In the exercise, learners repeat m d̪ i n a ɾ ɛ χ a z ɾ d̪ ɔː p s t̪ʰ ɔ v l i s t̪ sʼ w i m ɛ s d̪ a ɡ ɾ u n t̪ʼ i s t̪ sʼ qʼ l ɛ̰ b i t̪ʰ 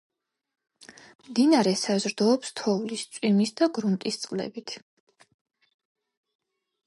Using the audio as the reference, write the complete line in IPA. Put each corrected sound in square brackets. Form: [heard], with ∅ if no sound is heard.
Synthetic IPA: m d̪ i n a ɾ ɛ [s] a z ɾ d̪ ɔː p s t̪ʰ ɔ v l i s t̪ sʼ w i m [i] s d̪ a ɡ ɾ u n t̪ʼ i s t̪ sʼ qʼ l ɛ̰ b i t̪ʰ